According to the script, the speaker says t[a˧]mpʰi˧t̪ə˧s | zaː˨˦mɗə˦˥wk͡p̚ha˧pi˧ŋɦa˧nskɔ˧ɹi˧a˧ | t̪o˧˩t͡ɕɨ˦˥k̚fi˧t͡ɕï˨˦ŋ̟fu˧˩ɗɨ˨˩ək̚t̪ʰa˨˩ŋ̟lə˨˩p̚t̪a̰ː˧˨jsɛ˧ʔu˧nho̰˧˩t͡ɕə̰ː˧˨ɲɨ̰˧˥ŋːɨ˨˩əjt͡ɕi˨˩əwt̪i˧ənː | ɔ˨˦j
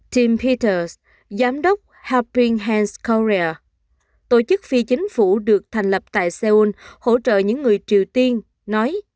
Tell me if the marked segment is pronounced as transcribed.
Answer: no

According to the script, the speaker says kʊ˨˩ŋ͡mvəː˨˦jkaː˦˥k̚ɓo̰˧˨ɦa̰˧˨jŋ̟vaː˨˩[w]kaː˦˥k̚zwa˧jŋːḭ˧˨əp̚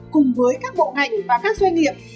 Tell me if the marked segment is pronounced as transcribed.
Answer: no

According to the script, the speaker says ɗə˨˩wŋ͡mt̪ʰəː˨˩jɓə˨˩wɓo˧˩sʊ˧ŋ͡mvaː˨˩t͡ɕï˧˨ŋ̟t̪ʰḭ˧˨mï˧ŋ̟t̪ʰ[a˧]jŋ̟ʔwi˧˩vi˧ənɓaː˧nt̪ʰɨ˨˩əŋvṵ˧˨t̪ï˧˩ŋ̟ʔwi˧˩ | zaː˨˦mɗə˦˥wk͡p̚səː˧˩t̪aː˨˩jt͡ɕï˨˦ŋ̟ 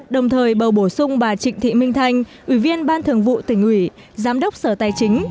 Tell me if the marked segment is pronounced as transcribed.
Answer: yes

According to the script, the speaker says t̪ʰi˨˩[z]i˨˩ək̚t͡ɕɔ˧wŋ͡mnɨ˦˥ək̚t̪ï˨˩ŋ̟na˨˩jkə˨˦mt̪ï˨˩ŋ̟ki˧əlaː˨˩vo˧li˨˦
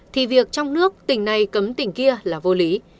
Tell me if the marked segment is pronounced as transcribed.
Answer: no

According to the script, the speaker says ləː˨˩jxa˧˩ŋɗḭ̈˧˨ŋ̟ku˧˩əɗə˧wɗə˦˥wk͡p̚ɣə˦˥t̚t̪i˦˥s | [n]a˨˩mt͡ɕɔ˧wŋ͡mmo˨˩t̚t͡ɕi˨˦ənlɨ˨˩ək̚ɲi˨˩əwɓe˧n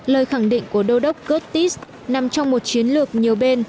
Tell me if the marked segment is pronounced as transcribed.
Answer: yes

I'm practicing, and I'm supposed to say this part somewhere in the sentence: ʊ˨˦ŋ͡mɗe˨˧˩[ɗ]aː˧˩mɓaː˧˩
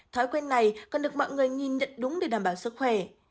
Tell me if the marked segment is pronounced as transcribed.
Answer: yes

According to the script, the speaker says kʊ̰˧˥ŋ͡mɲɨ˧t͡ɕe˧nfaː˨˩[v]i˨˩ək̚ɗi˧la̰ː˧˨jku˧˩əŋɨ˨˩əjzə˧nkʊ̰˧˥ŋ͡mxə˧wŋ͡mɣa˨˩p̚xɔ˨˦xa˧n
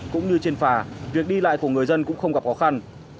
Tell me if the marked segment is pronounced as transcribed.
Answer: yes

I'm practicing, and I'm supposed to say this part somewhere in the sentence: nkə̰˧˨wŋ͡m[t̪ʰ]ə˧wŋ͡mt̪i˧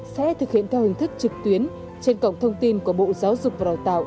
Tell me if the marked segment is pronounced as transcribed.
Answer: yes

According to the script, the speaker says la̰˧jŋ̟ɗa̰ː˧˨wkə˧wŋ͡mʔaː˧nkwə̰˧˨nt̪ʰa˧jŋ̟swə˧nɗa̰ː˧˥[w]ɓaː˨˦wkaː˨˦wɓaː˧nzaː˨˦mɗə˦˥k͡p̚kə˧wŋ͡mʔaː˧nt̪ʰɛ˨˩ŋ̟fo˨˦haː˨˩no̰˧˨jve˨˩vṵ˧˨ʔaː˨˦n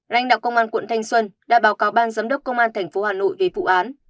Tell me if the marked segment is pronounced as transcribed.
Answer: no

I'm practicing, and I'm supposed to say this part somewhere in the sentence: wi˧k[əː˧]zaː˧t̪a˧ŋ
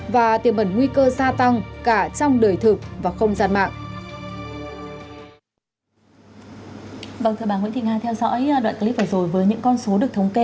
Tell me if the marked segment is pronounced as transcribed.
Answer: yes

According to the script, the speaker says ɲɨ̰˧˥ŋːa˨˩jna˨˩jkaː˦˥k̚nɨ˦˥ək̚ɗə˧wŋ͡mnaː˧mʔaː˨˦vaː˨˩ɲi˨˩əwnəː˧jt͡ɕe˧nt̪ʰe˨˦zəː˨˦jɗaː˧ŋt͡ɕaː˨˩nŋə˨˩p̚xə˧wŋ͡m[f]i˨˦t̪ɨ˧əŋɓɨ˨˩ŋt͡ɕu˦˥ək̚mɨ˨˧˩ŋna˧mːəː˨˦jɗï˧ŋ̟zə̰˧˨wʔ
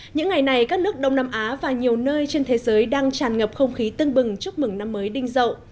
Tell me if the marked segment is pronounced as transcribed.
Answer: no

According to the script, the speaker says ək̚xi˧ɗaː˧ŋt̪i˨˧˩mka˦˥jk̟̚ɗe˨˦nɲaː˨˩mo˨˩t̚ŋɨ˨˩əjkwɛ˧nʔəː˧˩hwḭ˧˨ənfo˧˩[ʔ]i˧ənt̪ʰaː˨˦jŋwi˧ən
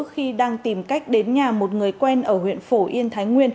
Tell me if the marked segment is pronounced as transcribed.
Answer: yes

